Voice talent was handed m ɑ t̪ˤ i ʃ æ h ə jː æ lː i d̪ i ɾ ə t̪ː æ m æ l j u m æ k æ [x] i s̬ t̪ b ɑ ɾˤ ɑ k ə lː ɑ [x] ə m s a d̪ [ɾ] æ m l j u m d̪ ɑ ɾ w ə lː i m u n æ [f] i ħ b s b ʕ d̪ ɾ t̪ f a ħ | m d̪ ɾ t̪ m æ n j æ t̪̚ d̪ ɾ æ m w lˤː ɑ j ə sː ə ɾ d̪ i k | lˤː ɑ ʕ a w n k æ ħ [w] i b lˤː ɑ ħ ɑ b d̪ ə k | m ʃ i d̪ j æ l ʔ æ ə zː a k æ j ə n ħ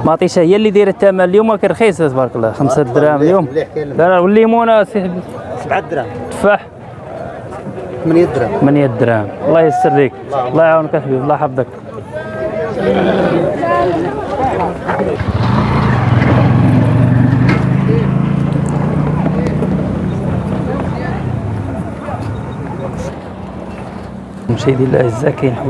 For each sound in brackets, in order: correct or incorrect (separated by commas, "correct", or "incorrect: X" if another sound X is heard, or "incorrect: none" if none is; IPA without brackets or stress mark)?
correct, correct, correct, incorrect: s, incorrect: b